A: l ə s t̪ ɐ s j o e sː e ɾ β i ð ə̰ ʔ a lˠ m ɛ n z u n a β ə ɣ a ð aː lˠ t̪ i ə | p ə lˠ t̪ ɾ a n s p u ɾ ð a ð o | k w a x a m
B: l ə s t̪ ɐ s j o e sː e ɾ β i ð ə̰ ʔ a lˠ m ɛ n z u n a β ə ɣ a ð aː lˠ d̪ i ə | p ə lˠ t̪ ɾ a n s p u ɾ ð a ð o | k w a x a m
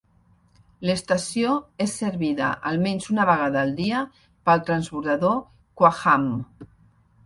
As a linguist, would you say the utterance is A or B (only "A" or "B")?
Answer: B